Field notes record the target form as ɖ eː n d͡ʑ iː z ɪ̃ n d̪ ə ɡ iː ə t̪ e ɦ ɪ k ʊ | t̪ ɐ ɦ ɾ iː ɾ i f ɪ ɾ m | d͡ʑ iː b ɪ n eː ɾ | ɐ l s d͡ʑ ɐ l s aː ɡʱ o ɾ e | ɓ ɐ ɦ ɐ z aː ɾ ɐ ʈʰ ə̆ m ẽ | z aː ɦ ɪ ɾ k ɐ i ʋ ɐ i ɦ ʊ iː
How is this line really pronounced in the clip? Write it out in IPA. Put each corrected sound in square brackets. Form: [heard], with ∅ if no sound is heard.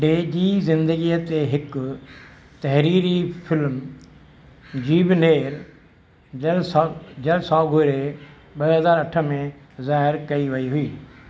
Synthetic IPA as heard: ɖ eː [∅] d͡ʑ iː z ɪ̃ n d̪ ə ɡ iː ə t̪ e ɦ ɪ k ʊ | t̪ ɐ ɦ ɾ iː ɾ i f ɪ [l] m | d͡ʑ iː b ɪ n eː ɾ | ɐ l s d͡ʑ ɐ l s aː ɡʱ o ɾ e | ɓ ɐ ɦ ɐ z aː ɾ ɐ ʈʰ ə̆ m ẽ | z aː ɦ ɪ ɾ k ɐ i ʋ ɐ i ɦ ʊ iː